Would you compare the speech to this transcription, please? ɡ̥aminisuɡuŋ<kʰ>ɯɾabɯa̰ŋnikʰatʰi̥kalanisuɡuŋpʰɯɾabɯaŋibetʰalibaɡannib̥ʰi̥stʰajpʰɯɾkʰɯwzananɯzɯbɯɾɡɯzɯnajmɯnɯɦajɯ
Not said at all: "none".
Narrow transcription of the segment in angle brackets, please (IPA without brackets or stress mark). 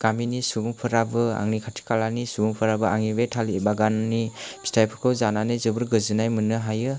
pʰ